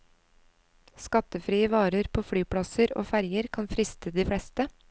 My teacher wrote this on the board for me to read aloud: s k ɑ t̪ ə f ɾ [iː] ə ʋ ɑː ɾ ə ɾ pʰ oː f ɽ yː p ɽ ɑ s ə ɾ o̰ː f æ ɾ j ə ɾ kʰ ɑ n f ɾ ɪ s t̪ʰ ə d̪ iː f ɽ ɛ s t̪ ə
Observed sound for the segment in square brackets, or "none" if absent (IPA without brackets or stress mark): iː